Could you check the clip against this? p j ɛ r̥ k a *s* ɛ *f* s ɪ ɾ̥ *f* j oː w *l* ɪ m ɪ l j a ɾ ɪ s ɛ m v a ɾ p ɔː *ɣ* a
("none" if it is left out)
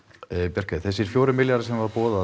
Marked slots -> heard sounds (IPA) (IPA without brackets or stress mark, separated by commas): θ, none, f, ɾ, ð